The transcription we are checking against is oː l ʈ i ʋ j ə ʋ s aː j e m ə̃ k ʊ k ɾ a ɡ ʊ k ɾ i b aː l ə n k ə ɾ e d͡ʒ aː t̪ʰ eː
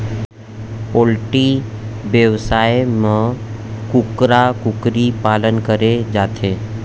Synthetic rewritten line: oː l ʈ i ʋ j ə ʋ s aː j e m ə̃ k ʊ k ɾ a k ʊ k ɾ i p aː l ə n k ə ɾ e d͡ʒ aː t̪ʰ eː